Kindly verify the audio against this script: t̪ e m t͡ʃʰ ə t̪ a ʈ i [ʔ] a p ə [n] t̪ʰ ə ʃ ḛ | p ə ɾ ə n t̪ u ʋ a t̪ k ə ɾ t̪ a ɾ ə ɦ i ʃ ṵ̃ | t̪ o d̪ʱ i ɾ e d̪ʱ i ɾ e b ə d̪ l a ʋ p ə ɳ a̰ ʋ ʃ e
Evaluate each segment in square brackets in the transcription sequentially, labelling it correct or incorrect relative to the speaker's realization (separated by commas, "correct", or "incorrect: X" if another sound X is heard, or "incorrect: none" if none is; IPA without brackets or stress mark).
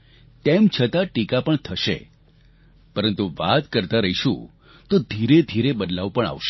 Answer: incorrect: k, incorrect: ɳ